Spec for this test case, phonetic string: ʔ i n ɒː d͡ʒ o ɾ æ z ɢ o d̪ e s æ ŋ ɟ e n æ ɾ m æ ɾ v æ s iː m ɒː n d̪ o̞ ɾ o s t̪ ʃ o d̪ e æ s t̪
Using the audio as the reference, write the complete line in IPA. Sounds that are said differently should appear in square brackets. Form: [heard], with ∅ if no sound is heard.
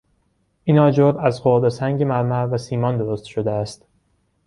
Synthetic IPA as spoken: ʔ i n ɒː d͡ʒ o ɾ æ z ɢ o d̪ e s æ ŋ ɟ e [m] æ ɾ m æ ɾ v æ s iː m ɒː n d̪ o̞ ɾ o s t̪ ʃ o d̪ e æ s t̪

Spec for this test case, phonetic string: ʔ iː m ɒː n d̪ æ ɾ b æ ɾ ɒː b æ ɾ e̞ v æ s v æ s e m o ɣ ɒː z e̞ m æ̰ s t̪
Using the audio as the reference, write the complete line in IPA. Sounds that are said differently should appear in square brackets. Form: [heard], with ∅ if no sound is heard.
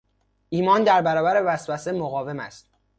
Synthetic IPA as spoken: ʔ iː m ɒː n d̪ æ ɾ b æ ɾ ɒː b æ ɾ e̞ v æ s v æ s e m o ɣ ɒː [v] e̞ m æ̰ s t̪

